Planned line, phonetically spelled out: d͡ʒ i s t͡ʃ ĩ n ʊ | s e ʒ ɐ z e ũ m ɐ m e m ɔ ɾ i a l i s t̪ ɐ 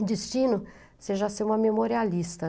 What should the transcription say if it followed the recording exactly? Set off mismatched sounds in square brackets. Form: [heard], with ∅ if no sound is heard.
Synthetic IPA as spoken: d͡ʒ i s t͡ʃ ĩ n ʊ | s e ʒ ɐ [s] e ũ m ɐ m e m [o] ɾ i a l i s t̪ ɐ